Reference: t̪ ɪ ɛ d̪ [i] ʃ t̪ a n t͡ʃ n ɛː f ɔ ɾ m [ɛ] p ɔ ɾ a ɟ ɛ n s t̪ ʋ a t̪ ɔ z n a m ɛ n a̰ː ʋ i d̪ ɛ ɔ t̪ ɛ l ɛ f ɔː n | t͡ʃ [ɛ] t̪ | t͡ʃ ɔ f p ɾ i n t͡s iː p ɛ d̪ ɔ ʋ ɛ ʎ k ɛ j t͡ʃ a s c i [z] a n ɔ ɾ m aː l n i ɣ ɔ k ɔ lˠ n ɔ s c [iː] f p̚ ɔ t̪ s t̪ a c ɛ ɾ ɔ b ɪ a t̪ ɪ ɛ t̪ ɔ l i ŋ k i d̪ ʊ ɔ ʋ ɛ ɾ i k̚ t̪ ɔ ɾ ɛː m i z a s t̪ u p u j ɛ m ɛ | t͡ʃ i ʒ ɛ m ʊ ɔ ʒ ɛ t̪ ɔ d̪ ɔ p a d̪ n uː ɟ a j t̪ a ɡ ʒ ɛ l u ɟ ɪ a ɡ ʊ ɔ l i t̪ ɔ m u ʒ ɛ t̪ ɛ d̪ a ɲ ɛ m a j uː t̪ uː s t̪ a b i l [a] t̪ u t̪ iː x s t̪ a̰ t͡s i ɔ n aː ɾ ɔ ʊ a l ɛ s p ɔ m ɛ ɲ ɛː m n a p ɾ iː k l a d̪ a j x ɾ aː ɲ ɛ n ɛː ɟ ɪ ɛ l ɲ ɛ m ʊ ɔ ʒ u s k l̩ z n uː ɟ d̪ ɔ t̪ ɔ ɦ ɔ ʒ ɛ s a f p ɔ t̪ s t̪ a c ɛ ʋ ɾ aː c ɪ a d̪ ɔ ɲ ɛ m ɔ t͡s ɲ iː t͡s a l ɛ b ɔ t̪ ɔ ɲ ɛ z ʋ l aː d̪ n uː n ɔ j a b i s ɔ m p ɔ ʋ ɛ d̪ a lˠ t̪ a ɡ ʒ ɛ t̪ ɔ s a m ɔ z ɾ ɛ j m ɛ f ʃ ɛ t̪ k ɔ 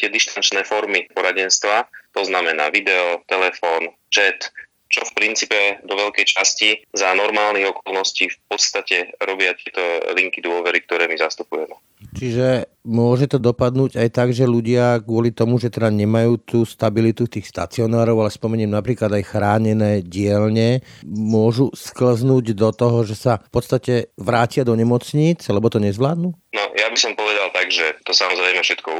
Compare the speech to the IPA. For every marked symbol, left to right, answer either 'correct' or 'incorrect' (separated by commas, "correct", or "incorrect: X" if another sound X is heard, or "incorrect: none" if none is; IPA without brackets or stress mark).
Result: correct, incorrect: i, correct, correct, correct, incorrect: i